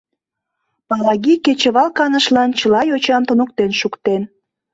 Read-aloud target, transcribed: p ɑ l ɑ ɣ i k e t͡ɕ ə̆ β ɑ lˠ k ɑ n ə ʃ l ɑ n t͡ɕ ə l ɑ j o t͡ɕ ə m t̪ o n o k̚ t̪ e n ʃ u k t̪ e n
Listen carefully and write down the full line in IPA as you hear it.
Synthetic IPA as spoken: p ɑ l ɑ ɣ i k e t͡ɕ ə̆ β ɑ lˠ k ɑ n ə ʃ l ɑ n t͡ɕ ə l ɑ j o t͡ɕ ɑ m t̪ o n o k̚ t̪ e n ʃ u k t̪ e n